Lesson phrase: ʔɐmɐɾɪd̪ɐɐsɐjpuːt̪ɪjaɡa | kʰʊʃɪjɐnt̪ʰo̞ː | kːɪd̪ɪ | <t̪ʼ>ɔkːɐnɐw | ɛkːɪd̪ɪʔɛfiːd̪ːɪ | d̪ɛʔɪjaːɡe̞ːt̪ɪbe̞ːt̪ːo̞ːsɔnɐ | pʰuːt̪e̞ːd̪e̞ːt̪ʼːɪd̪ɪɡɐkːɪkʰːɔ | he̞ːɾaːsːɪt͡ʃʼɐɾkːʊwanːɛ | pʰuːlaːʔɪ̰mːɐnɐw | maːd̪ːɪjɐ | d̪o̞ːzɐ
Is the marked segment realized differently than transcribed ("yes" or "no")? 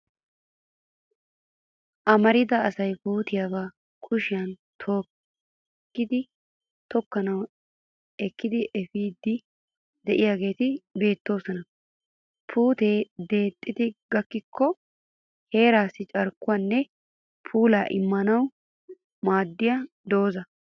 yes